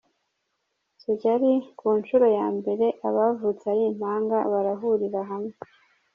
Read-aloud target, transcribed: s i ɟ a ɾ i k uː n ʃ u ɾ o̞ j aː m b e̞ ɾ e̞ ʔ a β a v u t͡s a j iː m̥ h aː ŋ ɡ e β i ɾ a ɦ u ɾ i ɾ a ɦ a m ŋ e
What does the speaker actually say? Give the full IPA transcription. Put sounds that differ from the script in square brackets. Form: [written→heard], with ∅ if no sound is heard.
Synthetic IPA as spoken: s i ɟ a ɾ i k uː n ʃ u ɾ o̞ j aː m b e̞ ɾ e̞ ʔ a β a v u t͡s a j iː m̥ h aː ŋ ɡ [e→a] β [i→a] ɾ a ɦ u ɾ i ɾ a ɦ a m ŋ e